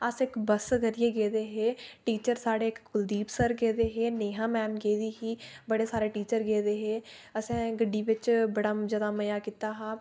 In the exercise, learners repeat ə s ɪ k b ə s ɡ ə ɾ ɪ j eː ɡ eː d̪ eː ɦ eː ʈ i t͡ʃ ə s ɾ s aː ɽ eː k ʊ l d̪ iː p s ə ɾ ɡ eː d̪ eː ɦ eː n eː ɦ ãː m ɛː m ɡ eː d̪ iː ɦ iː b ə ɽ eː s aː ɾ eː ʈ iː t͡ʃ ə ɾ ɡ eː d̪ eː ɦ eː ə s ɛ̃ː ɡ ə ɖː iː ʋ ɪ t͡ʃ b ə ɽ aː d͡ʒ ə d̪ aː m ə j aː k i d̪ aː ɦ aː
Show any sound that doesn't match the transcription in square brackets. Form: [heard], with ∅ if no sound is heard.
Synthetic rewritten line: ə s ɪ k b ə s ɡ ə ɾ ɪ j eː ɡ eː d̪ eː ɦ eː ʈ [iː] t͡ʃ ə [∅] ɾ s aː ɽ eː k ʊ l d̪ iː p s ə ɾ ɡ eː d̪ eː ɦ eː n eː ɦ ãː m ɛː m ɡ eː d̪ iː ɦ iː b ə ɽ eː s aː ɾ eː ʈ iː t͡ʃ ə ɾ ɡ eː d̪ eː ɦ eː ə s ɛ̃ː ɡ ə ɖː iː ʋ ɪ t͡ʃ b ə ɽ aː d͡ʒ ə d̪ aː m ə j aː k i [t̪] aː ɦ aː